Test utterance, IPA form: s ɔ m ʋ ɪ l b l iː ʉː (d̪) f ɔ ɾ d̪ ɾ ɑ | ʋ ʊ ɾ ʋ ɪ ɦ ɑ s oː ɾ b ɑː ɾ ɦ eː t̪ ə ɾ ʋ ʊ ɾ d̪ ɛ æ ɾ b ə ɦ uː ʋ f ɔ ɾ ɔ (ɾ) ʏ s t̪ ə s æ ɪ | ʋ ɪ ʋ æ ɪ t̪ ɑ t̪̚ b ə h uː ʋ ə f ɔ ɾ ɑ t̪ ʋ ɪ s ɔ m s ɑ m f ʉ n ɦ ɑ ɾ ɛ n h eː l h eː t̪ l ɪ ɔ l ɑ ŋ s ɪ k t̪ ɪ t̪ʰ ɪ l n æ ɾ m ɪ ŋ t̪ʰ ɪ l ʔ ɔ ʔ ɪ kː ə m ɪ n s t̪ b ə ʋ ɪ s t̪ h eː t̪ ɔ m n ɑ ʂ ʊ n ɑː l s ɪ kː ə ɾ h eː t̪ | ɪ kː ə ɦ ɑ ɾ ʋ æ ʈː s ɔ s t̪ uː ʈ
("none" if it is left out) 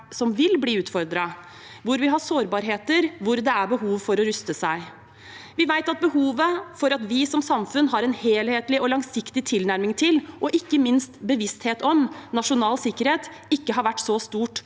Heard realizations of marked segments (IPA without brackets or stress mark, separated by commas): t̪, ɾ